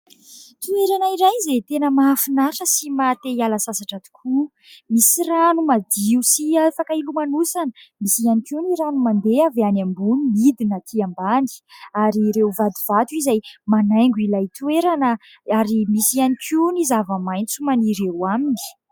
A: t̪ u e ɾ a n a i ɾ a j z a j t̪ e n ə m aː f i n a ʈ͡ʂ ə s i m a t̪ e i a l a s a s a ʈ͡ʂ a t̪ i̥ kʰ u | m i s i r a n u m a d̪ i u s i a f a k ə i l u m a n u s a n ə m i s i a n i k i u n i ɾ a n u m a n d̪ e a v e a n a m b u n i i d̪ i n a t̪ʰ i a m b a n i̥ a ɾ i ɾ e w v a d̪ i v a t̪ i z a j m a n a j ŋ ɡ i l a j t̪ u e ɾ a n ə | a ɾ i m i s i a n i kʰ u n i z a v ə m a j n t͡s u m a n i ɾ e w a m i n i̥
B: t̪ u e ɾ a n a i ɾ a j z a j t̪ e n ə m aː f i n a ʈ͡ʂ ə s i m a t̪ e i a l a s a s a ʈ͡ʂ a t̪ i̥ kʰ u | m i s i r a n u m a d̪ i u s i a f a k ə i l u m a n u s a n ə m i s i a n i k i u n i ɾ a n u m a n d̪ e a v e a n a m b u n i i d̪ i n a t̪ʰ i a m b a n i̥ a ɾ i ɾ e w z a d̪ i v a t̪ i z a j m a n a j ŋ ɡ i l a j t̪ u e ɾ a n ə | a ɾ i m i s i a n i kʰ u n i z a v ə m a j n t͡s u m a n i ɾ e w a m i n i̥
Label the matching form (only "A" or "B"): A